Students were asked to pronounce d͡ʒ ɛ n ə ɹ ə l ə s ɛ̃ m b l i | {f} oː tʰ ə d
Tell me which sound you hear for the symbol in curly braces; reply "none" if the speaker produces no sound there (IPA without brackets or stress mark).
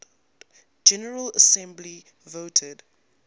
v